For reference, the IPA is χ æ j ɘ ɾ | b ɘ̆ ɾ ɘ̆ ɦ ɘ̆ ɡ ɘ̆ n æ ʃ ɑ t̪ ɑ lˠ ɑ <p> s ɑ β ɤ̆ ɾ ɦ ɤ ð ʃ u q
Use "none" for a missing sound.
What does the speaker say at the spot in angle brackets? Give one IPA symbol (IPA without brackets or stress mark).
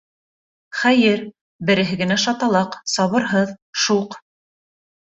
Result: q